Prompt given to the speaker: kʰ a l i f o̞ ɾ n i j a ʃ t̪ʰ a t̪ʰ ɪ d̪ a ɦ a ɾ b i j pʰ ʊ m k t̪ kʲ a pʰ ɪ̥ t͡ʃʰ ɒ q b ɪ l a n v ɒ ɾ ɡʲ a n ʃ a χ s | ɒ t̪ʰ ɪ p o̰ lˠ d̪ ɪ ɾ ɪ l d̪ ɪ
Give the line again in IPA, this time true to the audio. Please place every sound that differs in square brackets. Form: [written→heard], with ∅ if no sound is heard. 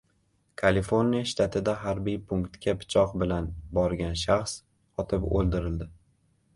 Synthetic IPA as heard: kʰ a l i f o̞ ɾ n i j a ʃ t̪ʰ a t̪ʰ ɪ d̪ a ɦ a ɾ b i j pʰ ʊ [m→ŋ] k t̪ kʲ a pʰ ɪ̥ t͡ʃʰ ɒ q b ɪ l a n [v→b] ɒ ɾ ɡʲ a n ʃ a χ s | ɒ t̪ʰ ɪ p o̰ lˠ d̪ ɪ ɾ ɪ l d̪ ɪ